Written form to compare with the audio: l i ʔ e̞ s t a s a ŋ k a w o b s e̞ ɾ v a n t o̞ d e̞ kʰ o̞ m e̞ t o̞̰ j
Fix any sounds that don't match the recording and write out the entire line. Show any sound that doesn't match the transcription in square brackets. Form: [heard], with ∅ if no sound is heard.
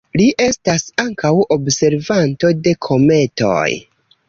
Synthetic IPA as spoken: l i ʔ e̞ s t a s a ŋ k a w o b s e̞ ɾ v a n t o̞ d e̞ kʰ o̞ m e̞ t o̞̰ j

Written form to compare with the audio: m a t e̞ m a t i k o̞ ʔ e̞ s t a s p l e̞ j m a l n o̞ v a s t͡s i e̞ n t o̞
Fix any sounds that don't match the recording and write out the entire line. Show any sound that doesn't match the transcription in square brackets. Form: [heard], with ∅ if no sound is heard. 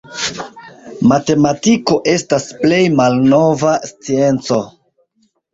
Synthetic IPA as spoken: m a t e̞ m a t i k o̞ ʔ e̞ s t a s p l e̞ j m a l n o̞ v a s t͡s i e̞ n [t͡s] o̞

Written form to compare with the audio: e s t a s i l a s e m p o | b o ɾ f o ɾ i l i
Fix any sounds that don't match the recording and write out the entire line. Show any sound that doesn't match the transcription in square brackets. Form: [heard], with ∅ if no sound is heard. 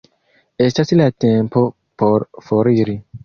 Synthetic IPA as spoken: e s t a s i l a [t] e m p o | [p] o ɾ f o ɾ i [ɾ] i

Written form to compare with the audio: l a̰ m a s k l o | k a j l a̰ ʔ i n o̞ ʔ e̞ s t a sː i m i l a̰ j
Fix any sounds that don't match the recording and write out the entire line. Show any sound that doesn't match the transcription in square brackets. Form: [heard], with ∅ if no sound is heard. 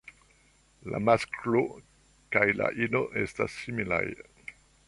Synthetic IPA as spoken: l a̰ m a s k l o | k a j l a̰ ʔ i n o̞ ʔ e̞ s t a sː i m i l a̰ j

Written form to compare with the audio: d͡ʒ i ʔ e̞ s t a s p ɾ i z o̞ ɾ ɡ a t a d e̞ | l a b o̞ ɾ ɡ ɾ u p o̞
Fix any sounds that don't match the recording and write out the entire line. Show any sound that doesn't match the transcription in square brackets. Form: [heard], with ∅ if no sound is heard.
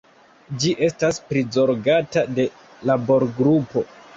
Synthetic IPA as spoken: d͡ʒ i ʔ e̞ s t a s p ɾ i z o̞ ɾ ɡ a t a d e̞ | l a b o̞ ɾ ɡ ɾ u p o̞

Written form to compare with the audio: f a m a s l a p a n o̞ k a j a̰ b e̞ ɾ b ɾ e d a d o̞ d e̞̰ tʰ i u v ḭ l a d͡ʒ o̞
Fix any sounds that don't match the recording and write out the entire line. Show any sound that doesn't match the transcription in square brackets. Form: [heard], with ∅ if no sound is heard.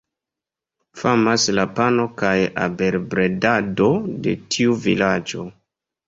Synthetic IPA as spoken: f a m a s l a p a n o̞ k a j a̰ b e̞ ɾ b ɾ e d a d o̞ d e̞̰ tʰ i u v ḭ l a d͡ʒ o̞

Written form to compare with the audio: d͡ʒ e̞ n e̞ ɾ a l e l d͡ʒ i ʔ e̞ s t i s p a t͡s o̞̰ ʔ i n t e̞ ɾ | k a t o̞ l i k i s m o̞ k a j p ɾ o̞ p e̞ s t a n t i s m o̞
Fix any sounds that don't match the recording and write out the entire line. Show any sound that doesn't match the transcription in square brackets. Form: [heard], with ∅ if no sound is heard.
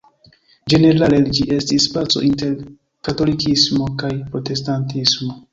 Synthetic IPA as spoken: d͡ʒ e̞ n e̞ ɾ a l e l d͡ʒ i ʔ e̞ s t i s p a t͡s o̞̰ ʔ i n t e̞ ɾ | k a t o̞ l i k i s m o̞ k a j p ɾ o̞ [t] e̞ s t a n t i s m o̞

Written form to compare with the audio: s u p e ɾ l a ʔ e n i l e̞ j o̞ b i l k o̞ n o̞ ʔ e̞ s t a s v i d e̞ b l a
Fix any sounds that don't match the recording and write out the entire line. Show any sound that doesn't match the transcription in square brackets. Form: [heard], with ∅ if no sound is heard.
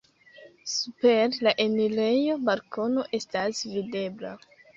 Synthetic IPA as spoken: s u p e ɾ l a ʔ e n i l e̞ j o̞ b [a] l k o̞ n o̞ ʔ e̞ s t a s v i d e̞ b l a

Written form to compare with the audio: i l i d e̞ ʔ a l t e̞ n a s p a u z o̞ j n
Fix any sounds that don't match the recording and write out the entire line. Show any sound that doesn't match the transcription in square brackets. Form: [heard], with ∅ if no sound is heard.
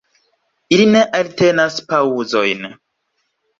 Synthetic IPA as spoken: i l i [n] e̞ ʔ a l t e̞ n a s p a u z o̞ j n

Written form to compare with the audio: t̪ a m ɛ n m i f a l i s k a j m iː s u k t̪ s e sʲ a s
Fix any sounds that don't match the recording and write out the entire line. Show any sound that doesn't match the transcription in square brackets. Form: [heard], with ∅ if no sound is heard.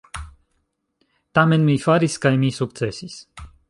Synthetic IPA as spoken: t̪ a m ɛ n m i f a [ɾ] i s k a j m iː s u k t̪ s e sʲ [i] s

